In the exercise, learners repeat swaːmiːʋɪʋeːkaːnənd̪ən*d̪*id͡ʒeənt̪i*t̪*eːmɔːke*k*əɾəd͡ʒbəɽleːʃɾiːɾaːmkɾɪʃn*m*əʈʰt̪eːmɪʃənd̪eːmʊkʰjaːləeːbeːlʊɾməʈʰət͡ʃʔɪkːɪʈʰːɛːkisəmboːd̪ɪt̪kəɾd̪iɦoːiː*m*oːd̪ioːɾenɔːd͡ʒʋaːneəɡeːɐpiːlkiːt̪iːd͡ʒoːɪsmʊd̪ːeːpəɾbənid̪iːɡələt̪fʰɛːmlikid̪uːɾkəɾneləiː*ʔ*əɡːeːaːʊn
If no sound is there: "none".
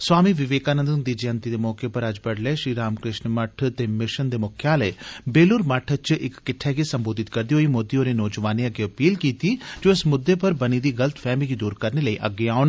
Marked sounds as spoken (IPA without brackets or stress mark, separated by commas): d̪, d̪, p, m, m, ʔ